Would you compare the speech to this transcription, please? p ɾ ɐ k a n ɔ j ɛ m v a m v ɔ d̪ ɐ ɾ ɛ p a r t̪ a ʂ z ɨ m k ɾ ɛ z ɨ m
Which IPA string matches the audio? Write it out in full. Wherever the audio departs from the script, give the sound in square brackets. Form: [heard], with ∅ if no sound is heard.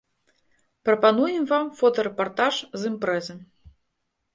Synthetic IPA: p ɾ ɐ [p] a n [u] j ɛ m v a m [f] ɔ [t̪] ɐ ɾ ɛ p a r t̪ a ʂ z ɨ m [p] ɾ ɛ z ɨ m

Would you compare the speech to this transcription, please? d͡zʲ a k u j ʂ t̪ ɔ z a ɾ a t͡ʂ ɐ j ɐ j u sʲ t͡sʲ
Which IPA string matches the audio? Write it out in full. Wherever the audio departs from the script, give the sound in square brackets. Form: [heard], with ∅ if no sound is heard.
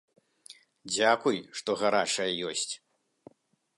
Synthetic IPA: d͡zʲ a k u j ʂ t̪ ɔ [ɣ] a ɾ a t͡ʂ ɐ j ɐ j [ɔ] sʲ t͡sʲ

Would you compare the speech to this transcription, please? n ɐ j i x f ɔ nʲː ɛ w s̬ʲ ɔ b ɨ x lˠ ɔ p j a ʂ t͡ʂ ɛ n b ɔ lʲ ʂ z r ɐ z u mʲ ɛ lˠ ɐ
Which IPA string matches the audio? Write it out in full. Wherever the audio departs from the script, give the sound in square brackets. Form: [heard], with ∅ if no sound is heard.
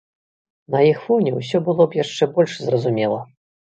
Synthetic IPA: n ɐ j i x f ɔ [nʲ] ɛ w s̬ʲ ɔ b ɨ [∅] lˠ ɔ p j a ʂ t͡ʂ ɛ [∅] b ɔ lʲ ʂ z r ɐ z u mʲ ɛ lˠ ɐ

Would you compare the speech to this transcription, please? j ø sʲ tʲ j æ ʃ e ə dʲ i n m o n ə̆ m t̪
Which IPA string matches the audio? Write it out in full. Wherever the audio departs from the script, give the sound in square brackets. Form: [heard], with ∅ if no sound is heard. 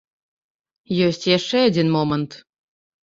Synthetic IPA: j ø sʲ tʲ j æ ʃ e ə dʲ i n m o [m] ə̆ [n] t̪

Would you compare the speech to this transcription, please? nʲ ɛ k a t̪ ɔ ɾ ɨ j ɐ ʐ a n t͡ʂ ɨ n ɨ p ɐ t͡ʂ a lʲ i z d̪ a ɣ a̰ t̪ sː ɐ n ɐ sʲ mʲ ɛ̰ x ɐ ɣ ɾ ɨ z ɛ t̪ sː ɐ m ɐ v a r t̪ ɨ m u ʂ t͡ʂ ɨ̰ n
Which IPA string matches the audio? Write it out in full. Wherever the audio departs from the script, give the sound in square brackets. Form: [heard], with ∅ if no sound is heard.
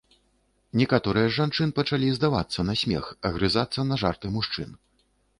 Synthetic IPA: nʲ ɛ k a t̪ ɔ ɾ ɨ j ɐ ʐ a n t͡ʂ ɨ n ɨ p ɐ t͡ʂ a lʲ i z d̪ a [v] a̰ t̪ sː ɐ n ɐ sʲ mʲ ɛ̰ x ɐ ɣ ɾ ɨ z [a] t̪ sː ɐ [n] ɐ [ʐ] a r t̪ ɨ m u ʂ t͡ʂ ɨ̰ n

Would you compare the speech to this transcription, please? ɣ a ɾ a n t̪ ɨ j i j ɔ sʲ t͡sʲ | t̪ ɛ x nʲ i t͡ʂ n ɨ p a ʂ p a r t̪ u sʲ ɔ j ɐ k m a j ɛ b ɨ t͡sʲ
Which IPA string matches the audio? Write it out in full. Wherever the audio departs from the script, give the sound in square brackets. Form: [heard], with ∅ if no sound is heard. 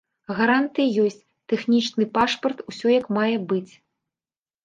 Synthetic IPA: ɣ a ɾ a n t̪ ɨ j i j ɔ sʲ t͡sʲ | t̪ ɛ x nʲ i t͡ʂ n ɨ p a ʂ p [ɐ] r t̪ u sʲ ɔ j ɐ k m a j ɛ b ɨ t͡sʲ

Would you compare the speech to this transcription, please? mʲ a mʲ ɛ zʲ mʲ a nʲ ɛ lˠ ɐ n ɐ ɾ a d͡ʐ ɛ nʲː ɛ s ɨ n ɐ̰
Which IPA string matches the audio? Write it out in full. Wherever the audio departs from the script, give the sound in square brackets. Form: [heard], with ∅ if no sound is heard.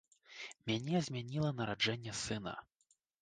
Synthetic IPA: mʲ a [nʲ] ɛ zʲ mʲ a nʲ [i] lˠ ɐ n ɐ ɾ a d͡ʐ ɛ nʲː ɛ s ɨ n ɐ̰

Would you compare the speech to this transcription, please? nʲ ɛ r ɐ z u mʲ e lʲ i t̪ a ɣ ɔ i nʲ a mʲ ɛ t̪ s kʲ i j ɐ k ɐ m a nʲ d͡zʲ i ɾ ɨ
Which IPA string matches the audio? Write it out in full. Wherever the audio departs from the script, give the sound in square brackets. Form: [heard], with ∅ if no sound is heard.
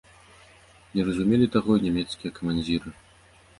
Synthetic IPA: nʲ ɛ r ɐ z u mʲ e lʲ i t̪ a ɣ ɔ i nʲ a mʲ ɛ t̪ s kʲ i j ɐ k ɐ m a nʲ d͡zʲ i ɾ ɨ

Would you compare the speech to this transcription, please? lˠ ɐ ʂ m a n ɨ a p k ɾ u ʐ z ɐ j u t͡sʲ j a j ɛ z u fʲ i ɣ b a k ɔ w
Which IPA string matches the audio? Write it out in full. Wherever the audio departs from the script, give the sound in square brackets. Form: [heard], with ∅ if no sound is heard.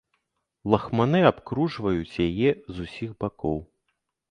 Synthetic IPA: lˠ ɐ [x] m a n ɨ a p k ɾ u ʐ [v] ɐ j u t͡sʲ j a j ɛ z u [sʲ] i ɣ b a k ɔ w

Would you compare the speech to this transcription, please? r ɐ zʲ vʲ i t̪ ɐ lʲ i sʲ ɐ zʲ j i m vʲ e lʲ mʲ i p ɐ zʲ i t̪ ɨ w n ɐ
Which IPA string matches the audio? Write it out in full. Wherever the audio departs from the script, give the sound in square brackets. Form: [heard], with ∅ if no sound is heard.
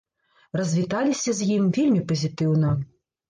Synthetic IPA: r ɐ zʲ vʲ i t̪ [a] lʲ i sʲ ɐ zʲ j i m vʲ e lʲ mʲ i p ɐ zʲ i t̪ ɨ w n ɐ

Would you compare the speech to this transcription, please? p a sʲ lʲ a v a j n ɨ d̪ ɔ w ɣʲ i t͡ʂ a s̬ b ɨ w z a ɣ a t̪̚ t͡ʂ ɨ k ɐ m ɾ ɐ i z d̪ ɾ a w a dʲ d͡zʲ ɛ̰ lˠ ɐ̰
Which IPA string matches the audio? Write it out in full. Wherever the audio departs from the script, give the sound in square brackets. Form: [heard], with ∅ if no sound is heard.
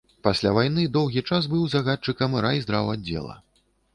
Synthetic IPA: p a sʲ lʲ a v a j n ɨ d̪ ɔ w ɣʲ i t͡ʂ a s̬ b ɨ w z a ɣ a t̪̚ t͡ʂ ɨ k ɐ m ɾ [a] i z d̪ ɾ a w a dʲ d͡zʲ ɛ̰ lˠ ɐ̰

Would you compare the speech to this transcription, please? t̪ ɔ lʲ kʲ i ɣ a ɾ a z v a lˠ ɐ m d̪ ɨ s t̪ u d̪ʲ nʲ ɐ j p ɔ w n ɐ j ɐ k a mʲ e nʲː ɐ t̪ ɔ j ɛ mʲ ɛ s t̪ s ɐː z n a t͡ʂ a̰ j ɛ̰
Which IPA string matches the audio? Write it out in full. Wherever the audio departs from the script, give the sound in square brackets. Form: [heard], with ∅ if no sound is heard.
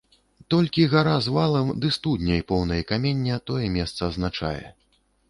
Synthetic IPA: t̪ ɔ lʲ kʲ i ɣ a ɾ a z v a lˠ ɐ m d̪ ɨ s t̪ u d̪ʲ nʲ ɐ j p ɔ w n ɐ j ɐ k a mʲ e nʲː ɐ t̪ ɔ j ɛ mʲ ɛ s t̪ s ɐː z n a t͡ʂ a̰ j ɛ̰

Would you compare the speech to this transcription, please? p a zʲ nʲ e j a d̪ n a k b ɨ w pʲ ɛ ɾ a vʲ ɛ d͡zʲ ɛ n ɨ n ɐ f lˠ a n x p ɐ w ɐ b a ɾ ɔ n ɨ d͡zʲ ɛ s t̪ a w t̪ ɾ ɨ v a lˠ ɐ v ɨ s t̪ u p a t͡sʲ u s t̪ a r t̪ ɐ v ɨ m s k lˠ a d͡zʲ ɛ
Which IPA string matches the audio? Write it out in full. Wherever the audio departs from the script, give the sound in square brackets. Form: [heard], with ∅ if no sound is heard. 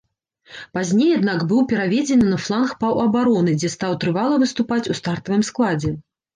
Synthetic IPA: p a zʲ nʲ e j a d̪ n a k b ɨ w pʲ ɛ ɾ a vʲ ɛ d͡zʲ ɛ n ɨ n ɐ f lˠ a n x p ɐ w ɐ b a ɾ ɔ n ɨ d͡zʲ ɛ s t̪ a w t̪ ɾ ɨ v a lˠ ɐ v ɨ s t̪ u p a t͡sʲ u s t̪ a r t̪ ɐ v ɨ m s k lˠ a d͡zʲ ɛ

